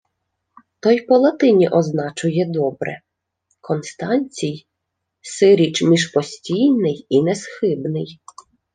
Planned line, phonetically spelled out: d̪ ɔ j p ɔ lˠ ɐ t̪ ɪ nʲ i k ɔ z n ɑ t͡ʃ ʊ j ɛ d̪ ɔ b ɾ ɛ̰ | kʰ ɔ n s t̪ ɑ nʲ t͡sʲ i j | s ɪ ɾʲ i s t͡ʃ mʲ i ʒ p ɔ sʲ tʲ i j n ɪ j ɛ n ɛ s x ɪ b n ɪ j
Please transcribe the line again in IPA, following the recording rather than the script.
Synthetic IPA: t̪ ɔ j p ɔ lˠ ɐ t̪ ɪ nʲ i ʔ ɔ z n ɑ t͡ʃ ʊ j ɛ d̪ ɔ b ɾ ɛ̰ | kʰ ɔ n s t̪ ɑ nʲ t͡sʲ i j | s ɪ ɾʲ i t͡ʃ mʲ i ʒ p ɔ sʲ tʲ i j n ɪ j i n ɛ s x ɪ b n ɪ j